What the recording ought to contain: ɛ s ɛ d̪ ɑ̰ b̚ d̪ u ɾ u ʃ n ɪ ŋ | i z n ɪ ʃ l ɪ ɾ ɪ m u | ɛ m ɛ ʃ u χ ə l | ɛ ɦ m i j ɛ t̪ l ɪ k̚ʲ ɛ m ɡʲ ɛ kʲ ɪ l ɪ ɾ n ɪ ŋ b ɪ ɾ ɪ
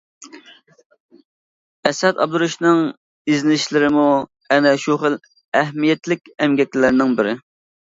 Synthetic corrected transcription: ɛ s ɛ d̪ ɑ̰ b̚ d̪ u ɾ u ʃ n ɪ ŋ | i z n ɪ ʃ l ɪ ɾ ɪ m u | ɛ n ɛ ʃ u χ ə l | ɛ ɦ m i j ɛ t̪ l ɪ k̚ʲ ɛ m ɡʲ ɛ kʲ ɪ l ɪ ɾ n ɪ ŋ b ɪ ɾ ɪ